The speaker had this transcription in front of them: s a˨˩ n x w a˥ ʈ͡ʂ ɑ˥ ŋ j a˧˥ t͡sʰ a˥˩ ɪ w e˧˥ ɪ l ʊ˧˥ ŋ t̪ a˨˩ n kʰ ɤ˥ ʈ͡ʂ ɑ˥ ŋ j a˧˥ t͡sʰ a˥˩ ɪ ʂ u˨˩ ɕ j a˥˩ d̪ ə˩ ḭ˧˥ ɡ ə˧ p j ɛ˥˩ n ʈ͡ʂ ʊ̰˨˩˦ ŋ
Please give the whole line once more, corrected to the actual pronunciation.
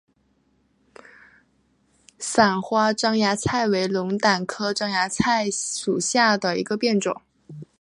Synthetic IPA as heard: s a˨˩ n x w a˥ ʈ͡ʂ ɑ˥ ŋ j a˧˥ t͡sʰ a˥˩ ɪ w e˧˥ ɪ l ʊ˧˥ ŋ t̪ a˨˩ n kʰ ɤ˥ ʈ͡ʂ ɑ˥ ŋ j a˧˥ t͡sʰ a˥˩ ɪ ʂ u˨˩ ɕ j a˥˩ d̪ ə˩ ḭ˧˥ ɡ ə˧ p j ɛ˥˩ n ʈ͡ʂ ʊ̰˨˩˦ ŋ

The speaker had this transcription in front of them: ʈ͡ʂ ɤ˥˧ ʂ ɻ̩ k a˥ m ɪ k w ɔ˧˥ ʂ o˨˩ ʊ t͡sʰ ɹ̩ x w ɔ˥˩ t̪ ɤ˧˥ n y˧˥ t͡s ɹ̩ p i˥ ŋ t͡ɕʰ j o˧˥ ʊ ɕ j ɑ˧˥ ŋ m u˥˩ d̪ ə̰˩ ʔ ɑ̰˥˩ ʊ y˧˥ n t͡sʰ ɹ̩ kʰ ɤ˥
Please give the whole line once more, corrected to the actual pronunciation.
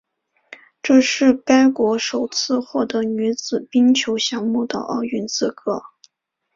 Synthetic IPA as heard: ʈ͡ʂ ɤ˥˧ ʂ ɻ̩ k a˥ ɪ k w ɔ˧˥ ʂ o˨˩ ʊ t͡sʰ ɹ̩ x w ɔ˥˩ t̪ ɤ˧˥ n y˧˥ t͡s ɹ̩ p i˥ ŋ t͡ɕʰ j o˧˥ ʊ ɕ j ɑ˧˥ ŋ m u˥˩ d̪ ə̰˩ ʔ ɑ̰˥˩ ʊ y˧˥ n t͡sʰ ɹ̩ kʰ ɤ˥

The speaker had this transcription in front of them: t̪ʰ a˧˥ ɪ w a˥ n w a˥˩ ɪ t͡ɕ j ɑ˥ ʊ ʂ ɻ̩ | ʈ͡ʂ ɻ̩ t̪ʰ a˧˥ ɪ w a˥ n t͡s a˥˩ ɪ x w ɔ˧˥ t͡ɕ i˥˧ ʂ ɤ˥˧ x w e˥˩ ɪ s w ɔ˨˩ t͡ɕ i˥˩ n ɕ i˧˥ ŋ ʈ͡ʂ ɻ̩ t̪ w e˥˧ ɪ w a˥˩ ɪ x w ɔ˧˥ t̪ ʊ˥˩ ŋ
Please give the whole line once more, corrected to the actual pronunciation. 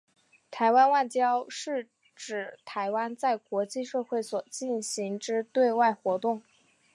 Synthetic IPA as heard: t̪ʰ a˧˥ ɪ w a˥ n w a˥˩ ɪ t͡ɕ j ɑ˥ ʊ ʂ ɻ̩ | ʈ͡ʂ ɻ̩ t̪ʰ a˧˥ ɪ w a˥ n t͡s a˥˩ ɪ k w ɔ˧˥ t͡ɕ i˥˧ ʂ ɤ˥˧ x w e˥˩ ɪ s w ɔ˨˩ t͡ɕ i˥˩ n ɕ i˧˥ ŋ ʈ͡ʂ ɻ̩ t̪ w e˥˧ ɪ w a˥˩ ɪ x w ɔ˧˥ t̪ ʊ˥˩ ŋ

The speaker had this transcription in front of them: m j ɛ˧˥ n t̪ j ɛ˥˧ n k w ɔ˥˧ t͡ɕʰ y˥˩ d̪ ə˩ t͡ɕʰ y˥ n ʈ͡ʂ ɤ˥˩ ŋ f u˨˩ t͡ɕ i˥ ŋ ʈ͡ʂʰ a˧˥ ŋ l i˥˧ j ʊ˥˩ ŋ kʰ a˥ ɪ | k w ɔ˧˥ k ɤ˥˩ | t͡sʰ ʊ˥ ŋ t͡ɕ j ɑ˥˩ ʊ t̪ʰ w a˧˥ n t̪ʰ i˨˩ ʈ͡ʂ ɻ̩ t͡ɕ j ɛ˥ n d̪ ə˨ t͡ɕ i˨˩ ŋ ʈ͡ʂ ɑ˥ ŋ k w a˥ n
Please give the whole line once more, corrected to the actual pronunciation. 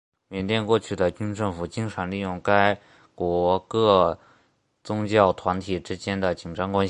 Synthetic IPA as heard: m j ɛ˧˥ n t̪ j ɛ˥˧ n k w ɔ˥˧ t͡ɕʰ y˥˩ d̪ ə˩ t͡ɕ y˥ n ʈ͡ʂ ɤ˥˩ ŋ f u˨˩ t͡ɕ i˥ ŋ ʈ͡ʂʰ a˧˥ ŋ l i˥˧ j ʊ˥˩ ŋ k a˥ ɪ | k w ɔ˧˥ k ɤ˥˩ | t͡s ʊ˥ ŋ t͡ɕ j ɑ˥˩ ʊ t̪ʰ w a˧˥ n t̪ʰ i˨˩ ʈ͡ʂ ɻ̩ t͡ɕ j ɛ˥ n d̪ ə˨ t͡ɕ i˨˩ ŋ ʈ͡ʂ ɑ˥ ŋ k w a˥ n

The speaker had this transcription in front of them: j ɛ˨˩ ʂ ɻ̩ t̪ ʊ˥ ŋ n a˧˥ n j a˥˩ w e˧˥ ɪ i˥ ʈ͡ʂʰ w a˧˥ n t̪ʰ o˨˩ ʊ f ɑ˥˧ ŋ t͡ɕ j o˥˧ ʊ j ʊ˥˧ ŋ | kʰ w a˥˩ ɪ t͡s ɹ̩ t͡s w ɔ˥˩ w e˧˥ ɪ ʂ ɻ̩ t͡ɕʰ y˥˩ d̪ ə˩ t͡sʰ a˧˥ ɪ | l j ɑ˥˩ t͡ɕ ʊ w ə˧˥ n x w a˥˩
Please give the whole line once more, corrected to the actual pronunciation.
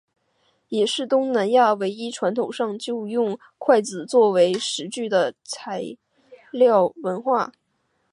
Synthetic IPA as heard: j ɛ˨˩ ʂ ɻ̩ t̪ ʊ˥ ŋ n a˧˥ n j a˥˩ w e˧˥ ɪ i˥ ʈ͡ʂʰ w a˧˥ n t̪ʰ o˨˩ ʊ ʂ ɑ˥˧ ŋ t͡ɕ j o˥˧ ʊ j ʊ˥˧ ŋ | kʰ w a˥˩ ɪ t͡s ɹ̩ t͡s w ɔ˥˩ w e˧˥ ɪ ʂ ɻ̩ t͡ɕ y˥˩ d̪ ə˩ t͡sʰ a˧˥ ɪ | l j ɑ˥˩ ʊ w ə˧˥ n x w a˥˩

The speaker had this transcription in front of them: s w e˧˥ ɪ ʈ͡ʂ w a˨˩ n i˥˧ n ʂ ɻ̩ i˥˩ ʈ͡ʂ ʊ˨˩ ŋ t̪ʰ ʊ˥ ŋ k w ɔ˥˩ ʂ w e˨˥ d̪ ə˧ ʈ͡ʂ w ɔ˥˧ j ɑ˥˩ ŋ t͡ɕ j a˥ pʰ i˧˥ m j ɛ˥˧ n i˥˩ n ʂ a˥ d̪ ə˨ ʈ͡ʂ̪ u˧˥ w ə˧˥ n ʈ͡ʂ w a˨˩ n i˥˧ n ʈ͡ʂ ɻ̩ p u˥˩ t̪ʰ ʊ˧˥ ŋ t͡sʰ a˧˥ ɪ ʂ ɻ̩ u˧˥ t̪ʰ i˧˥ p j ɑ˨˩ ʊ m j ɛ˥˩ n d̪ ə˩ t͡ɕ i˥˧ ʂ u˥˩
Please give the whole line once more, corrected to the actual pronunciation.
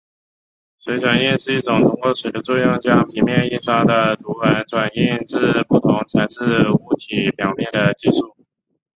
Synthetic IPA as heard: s w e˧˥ ɪ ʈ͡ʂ w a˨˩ n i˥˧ n ʂ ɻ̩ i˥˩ ʈ͡ʂ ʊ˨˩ ŋ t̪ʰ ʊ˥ ŋ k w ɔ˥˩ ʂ w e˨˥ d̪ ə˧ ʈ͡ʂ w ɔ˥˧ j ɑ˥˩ ŋ t͡ɕ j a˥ pʰ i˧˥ m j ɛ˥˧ n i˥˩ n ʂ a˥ d̪ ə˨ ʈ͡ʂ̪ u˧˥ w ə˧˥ n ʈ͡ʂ w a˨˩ n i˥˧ n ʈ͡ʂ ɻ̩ p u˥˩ t̪ʰ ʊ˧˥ ŋ t͡sʰ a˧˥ ɪ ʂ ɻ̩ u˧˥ t̪ʰ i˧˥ p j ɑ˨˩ ʊ m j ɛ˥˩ n d̪ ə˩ t͡ɕ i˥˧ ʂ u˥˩

